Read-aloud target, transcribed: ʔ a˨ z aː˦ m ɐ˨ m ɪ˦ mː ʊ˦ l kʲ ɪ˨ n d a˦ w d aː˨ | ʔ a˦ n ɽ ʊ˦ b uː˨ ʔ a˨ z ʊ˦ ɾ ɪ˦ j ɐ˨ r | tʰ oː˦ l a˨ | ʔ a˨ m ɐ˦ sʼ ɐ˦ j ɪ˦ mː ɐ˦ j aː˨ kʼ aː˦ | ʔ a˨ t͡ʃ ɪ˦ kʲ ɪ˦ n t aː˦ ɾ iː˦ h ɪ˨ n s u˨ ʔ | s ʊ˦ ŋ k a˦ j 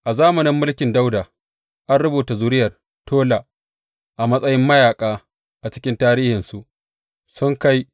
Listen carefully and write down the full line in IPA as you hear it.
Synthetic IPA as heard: ʔ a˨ z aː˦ m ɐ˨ n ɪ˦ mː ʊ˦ l kʲ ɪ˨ n d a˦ w d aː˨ | ʔ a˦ n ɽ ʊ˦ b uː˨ t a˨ z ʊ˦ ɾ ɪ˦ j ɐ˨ r | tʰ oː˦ l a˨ | ʔ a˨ m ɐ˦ sʼ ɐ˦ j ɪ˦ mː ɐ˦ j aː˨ kʼ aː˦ | ʔ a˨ t͡ʃ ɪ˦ kʲ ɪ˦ n t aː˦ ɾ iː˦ h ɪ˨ n s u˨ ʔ | s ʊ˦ ŋ k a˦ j